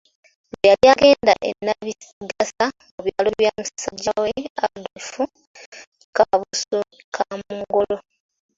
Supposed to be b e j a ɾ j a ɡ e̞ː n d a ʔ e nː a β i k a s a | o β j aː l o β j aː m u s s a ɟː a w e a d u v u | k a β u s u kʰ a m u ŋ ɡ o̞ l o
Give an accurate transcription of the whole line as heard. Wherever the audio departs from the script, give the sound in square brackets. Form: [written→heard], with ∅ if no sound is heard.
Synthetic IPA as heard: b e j a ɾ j a ɡ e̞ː n d a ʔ e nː a β i [k→ɡ] a s a | o β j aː l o β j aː m u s s a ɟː a w e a d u [v→f] u | k a β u s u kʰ a m u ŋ ɡ o̞ l o